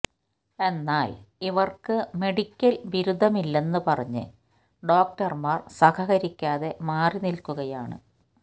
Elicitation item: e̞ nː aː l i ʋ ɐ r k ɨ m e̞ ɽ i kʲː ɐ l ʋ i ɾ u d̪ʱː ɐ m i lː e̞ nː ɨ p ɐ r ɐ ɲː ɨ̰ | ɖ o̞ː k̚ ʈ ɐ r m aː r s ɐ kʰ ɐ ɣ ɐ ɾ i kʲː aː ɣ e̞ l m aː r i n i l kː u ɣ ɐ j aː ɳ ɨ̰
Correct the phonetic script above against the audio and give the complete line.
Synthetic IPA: e̞ nː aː l i ʋ ɐ r k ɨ m e̞ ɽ i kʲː ɐ l ʋ i ɾ u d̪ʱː ɐ m i lː e̞ nː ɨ p ɐ r ɐ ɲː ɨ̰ | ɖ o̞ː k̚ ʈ ɐ r m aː r s ɐ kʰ ɐ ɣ ɐ ɾ i kʲː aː ð e̞ m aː r i n i l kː u ɣ ɐ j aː ɳ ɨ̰